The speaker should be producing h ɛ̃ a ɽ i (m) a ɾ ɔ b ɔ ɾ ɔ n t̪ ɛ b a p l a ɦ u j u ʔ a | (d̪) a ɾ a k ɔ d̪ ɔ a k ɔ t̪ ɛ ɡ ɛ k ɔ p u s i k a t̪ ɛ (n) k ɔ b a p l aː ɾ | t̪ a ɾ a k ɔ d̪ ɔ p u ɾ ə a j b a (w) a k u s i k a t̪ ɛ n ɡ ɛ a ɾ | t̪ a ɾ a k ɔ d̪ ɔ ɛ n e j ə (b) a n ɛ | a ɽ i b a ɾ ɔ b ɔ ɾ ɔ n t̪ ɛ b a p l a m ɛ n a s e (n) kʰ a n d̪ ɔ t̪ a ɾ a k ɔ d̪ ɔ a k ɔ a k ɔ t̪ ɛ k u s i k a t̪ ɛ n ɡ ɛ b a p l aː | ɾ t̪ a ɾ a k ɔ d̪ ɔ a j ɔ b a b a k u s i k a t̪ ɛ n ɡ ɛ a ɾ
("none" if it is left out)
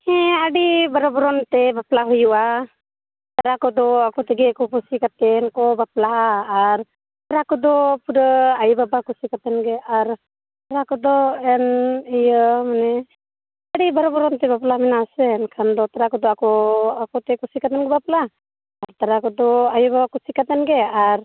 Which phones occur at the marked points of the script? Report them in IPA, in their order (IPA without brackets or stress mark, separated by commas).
b, t̪, n, b, m, n